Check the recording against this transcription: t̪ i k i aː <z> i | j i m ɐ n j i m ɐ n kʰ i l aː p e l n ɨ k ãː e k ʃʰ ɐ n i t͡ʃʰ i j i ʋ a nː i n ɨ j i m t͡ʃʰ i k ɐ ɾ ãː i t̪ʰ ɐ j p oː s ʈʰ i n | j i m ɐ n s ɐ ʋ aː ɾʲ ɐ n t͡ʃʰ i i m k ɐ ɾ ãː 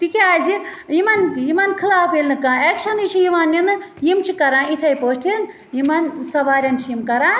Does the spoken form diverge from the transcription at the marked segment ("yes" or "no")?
no